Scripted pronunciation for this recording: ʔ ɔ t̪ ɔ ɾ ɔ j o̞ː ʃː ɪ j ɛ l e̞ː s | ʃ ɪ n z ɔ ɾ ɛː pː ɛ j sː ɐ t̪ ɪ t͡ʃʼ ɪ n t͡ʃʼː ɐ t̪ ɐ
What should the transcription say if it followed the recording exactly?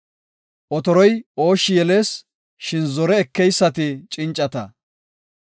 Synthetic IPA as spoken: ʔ ɔ t̪ ɔ ɾ ɔ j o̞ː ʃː ɪ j ɛ l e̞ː s | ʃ ɪ n z ɔ ɾ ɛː kː ɛ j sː ɐ t̪ ɪ t͡ʃʼ ɪ n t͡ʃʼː ɐ t̪ ɐ